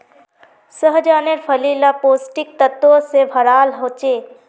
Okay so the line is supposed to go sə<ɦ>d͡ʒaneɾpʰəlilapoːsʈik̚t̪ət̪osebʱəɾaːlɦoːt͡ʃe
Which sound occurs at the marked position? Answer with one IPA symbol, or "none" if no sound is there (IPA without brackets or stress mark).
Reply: ɦ